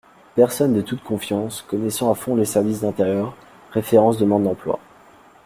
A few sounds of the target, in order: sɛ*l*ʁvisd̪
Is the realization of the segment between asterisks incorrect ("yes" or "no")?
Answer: yes